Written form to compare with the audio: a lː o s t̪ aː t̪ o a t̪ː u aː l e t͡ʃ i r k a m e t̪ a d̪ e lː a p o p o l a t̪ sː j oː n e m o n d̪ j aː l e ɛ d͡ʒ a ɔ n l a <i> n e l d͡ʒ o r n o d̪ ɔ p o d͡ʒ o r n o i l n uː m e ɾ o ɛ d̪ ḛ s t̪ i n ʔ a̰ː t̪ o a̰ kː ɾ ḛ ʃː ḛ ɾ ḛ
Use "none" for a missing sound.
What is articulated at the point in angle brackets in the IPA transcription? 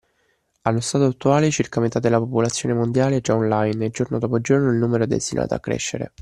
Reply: j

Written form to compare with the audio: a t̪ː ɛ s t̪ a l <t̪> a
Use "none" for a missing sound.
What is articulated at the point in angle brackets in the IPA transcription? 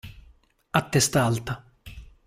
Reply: t̪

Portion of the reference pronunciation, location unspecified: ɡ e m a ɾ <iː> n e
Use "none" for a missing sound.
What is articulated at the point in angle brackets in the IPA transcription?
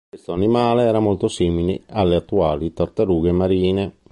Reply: iː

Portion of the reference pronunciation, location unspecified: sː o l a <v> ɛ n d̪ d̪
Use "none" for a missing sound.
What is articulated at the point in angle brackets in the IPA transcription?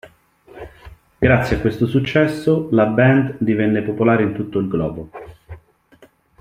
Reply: b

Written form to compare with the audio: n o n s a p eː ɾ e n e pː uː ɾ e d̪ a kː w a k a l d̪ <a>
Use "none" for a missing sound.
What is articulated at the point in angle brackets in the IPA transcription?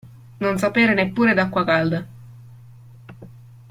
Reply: a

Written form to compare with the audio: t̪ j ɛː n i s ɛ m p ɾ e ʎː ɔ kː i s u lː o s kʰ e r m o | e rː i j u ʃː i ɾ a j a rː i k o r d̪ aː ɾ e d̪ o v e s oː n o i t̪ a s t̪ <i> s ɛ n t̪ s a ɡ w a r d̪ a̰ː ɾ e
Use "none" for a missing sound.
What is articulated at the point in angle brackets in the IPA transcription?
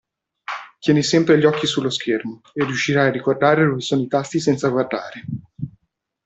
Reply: i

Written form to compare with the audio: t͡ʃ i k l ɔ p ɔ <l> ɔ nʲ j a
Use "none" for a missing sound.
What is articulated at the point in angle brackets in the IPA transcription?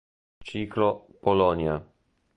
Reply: l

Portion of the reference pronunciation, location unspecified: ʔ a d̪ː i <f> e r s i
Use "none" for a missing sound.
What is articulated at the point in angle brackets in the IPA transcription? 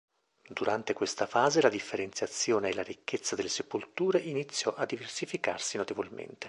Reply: v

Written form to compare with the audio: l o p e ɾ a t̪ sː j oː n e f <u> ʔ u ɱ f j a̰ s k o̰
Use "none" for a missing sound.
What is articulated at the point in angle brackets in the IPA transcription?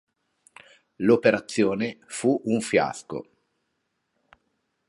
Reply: u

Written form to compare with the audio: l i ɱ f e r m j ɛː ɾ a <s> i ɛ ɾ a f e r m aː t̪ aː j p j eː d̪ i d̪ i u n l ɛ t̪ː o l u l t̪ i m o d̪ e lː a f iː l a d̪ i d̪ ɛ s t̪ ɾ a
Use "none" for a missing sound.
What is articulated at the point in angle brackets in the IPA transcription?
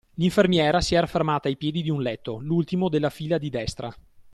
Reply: s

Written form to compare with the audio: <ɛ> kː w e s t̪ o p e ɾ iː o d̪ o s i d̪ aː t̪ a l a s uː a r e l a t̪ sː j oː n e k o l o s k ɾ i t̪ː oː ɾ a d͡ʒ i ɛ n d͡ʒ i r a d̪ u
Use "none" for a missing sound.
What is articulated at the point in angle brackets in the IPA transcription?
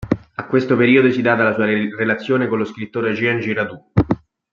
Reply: a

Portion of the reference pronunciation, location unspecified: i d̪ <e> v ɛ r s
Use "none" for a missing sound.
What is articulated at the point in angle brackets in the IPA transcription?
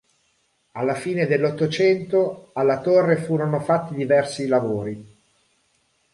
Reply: i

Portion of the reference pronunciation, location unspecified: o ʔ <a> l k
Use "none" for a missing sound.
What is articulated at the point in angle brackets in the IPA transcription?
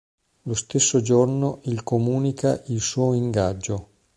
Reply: i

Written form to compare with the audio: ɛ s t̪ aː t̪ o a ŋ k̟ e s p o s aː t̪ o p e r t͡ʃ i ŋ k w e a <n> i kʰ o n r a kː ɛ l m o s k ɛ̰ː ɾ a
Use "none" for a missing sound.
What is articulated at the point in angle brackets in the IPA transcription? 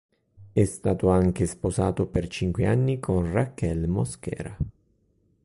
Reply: nː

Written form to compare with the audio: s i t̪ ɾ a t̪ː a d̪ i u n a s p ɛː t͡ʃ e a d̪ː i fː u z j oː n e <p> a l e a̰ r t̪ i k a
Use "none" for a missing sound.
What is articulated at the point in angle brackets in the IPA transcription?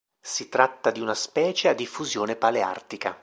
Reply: p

